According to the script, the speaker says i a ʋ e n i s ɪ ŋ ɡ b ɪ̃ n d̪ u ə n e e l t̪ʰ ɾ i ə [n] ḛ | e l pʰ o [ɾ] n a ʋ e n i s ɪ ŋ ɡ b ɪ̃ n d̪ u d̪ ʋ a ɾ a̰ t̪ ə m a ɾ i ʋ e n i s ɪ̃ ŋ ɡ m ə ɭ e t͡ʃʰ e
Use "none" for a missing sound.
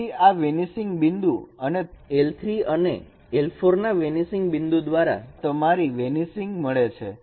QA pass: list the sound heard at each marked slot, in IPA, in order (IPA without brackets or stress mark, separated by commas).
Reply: n, ɾ